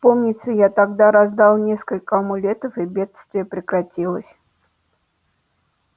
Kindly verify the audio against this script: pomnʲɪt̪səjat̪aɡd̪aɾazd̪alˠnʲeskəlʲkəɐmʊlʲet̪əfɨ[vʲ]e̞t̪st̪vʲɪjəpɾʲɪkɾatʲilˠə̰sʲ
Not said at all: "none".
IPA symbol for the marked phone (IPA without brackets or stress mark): bʲ